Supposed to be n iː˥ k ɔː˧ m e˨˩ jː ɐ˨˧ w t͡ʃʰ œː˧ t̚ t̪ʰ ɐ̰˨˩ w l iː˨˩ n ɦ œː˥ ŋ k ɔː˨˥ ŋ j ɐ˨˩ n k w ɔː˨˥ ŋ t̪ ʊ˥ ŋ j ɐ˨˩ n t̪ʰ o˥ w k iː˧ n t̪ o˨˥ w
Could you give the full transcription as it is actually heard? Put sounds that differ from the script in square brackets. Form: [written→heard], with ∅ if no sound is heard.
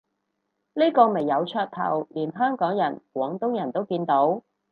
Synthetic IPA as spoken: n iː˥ k ɔː˧ m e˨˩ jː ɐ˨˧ w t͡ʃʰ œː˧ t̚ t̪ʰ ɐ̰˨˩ w l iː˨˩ n ɦ œː˥ ŋ k ɔː˨˥ ŋ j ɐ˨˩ n k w ɔː˨˥ ŋ t̪ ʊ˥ ŋ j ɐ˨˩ n [t̪ʰ→t̪] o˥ w k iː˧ n t̪ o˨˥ w